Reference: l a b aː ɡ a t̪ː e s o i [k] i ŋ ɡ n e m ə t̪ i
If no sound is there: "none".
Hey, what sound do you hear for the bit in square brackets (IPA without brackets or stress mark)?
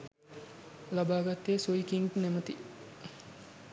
k